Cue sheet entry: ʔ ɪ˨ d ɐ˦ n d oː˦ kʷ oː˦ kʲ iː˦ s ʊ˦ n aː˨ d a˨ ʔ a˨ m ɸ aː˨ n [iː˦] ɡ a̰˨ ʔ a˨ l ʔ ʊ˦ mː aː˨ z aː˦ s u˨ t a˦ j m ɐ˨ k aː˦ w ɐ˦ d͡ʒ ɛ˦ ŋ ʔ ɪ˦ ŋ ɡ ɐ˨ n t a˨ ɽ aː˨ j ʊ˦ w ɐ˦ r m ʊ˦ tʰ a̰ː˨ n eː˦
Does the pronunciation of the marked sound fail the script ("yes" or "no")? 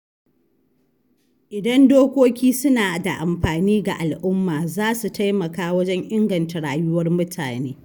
no